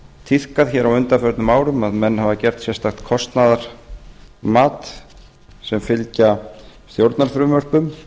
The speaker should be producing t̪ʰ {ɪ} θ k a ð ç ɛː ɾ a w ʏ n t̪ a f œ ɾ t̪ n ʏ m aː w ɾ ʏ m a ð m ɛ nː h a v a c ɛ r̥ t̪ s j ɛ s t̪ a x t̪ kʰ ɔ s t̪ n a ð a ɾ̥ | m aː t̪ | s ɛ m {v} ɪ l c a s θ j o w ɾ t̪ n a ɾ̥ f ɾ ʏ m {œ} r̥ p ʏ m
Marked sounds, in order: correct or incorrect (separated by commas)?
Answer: incorrect, incorrect, correct